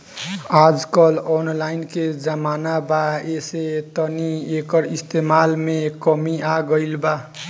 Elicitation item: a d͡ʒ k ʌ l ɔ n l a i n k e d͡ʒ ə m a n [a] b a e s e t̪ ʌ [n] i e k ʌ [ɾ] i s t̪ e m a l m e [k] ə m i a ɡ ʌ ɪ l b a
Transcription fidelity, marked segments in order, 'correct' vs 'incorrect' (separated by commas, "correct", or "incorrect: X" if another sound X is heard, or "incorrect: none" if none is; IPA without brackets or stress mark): correct, correct, correct, correct